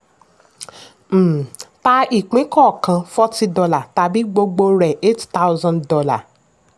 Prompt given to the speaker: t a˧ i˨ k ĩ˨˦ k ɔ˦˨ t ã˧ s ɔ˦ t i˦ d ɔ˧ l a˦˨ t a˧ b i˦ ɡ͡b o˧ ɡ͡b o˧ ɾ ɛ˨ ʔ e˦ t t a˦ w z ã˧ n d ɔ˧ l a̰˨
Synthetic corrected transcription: t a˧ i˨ k͡p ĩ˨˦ k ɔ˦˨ k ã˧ f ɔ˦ t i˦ d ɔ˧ l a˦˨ t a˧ b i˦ ɡ͡b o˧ ɡ͡b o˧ ɾ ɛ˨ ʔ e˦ t t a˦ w z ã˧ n d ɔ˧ l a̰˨